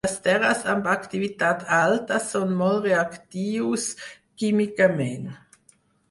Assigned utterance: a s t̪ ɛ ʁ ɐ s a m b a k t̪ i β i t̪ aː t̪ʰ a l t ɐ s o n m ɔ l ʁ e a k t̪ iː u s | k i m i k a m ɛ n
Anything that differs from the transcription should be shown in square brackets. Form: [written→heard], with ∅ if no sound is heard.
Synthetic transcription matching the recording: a s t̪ ɛ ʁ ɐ s a m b a k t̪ i [β→v] i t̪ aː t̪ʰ a l t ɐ s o n m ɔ l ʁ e a k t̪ iː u s | k i m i k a m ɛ n